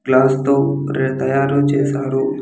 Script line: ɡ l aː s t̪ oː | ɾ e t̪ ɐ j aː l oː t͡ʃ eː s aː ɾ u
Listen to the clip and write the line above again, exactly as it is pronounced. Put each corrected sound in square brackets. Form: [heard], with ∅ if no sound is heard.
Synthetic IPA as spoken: ɡ l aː s t̪ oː | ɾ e t̪ ɐ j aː [ɾ] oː t͡ʃ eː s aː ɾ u